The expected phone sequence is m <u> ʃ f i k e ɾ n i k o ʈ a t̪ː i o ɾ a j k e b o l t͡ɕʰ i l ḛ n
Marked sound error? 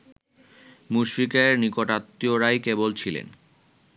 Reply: no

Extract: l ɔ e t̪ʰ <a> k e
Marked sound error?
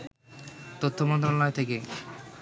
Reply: yes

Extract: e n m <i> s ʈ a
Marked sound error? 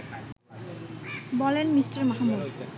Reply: no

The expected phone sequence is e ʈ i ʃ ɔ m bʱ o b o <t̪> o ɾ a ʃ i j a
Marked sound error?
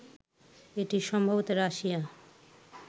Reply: no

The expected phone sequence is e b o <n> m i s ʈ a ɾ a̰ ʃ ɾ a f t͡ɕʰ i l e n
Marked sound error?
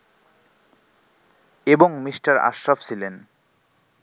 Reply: yes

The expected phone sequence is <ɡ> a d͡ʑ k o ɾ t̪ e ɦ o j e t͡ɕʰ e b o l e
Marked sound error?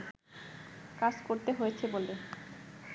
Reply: yes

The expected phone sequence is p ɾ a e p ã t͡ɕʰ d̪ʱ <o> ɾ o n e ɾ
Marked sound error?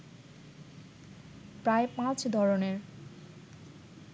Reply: yes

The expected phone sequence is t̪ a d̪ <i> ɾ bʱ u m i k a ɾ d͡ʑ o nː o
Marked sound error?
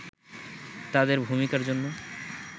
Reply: yes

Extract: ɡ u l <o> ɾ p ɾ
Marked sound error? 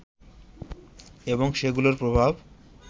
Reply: no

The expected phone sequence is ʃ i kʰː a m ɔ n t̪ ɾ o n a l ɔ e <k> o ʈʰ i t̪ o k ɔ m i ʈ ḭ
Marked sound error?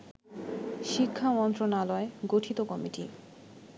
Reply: yes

